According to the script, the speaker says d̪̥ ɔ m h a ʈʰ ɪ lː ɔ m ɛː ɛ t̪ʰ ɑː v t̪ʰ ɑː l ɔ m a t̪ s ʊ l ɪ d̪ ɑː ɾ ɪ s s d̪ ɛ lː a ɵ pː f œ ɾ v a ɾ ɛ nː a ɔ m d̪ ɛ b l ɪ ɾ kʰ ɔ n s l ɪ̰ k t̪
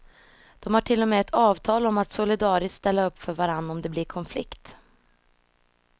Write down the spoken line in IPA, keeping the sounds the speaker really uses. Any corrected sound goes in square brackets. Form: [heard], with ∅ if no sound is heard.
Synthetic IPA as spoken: d̪̥ ɔ m h a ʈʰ ɪ lː ɔ m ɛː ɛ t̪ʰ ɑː v t̪ʰ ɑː l ɔ m a t̪ s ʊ l ɪ d̪ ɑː ɾ ɪ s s [t̪] ɛ lː a ɵ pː f œ ɾ v a ɾ [a] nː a ɔ m d̪ ɛ b l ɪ ɾ kʰ ɔ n [f] l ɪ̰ k t̪